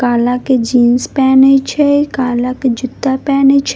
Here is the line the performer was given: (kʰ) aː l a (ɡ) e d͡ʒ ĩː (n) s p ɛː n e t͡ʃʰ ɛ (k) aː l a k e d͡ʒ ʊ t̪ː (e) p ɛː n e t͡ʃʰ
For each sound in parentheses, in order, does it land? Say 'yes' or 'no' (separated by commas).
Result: no, no, yes, yes, no